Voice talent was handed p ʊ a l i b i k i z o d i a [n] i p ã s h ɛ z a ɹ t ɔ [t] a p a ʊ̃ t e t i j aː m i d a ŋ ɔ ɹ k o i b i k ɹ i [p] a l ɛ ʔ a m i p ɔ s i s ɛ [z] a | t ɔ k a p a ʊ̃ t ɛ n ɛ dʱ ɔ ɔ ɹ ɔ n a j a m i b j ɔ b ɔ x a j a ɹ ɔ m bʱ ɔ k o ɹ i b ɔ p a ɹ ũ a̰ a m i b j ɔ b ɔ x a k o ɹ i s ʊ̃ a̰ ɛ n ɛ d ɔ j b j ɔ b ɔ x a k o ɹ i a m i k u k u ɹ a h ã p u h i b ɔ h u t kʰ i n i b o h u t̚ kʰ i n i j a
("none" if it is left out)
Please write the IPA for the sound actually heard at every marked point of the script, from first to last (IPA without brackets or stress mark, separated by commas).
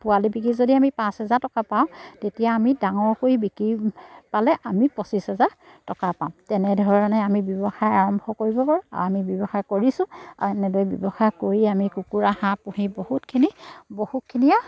m, k, p, z